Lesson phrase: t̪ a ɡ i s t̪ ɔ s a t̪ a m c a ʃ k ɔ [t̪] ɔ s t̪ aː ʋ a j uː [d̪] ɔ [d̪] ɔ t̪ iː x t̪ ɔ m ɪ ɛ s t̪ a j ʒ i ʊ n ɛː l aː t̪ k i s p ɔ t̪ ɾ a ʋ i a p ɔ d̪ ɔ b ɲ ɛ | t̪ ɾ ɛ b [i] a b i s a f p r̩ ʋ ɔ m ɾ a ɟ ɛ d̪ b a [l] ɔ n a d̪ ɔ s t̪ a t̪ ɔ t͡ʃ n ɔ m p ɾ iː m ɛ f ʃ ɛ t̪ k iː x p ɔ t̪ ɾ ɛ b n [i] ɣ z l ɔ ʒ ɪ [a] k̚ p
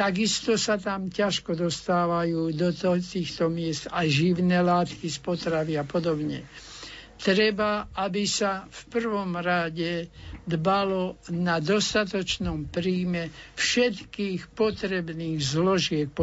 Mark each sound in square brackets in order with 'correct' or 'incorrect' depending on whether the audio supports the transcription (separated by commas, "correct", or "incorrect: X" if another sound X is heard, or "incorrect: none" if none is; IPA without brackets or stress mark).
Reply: incorrect: d̪, correct, incorrect: t̪, incorrect: a, correct, incorrect: iː, incorrect: ɛ